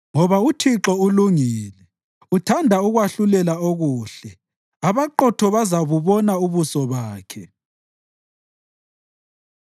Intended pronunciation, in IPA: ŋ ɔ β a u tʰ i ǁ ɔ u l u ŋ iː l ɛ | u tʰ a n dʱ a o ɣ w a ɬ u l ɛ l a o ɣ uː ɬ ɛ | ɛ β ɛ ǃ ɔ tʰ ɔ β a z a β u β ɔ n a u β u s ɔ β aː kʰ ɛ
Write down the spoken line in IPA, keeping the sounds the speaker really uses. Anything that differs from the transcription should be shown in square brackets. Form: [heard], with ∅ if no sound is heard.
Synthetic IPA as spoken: ŋ ɔ β a u tʰ i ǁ ɔ u l u ŋ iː l ɛ | u tʰ a n dʱ a [u] ɣ w a ɬ u l ɛ l a o ɣ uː ɬ ɛ | [a] β [a] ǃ ɔ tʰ ɔ β a z a β u β ɔ n a u β u s ɔ β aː kʰ ɛ